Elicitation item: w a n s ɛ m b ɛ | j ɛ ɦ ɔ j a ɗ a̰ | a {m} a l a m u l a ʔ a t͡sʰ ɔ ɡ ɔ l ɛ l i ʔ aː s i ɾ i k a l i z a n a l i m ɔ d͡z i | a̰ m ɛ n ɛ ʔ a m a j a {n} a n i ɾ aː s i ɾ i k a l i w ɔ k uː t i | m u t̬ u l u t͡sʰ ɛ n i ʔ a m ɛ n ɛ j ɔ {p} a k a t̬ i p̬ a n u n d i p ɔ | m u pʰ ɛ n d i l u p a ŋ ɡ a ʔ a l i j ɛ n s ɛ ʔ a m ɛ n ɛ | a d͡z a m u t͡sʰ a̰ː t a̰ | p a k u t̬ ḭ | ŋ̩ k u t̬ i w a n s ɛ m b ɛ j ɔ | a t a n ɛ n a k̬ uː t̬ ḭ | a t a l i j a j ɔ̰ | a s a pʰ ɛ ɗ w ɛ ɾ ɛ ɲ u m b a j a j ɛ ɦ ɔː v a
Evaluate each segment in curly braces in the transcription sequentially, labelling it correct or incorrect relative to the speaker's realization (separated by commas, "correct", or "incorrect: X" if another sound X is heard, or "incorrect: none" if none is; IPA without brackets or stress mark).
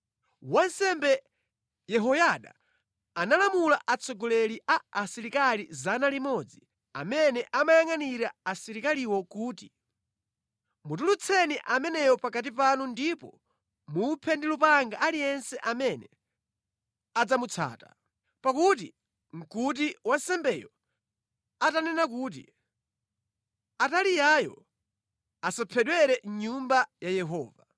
incorrect: n, incorrect: ŋ, correct